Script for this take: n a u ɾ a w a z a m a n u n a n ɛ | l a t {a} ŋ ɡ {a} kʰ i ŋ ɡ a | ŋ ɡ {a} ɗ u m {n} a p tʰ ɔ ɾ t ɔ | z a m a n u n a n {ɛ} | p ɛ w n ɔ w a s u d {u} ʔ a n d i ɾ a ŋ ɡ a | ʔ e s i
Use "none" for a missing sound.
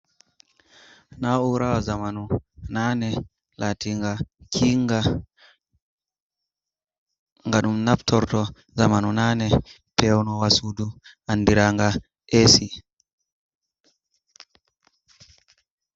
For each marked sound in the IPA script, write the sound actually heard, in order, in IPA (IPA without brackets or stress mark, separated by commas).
i, a, a, n, ɛ, u